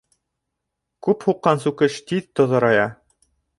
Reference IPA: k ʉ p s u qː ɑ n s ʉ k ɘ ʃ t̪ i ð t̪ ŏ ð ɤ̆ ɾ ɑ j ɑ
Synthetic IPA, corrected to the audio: k ʉ p h u qː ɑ n s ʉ k ɘ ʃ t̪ i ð t̪ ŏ ð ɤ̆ ɾ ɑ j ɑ